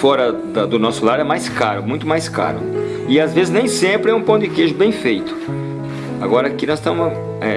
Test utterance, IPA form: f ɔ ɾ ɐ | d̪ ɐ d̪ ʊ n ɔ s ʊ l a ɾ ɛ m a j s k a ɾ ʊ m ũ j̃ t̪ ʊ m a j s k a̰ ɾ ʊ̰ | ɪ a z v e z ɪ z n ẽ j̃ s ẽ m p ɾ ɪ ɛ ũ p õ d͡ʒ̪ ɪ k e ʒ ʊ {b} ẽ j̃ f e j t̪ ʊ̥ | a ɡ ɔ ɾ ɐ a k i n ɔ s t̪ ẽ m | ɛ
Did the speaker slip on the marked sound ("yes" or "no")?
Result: no